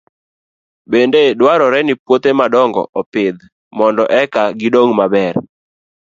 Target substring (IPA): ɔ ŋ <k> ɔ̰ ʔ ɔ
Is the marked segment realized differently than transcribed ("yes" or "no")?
yes